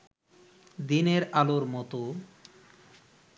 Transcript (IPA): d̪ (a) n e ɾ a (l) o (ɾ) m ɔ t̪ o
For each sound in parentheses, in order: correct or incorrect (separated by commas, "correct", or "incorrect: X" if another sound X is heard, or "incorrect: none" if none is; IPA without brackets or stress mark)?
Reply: incorrect: i, correct, correct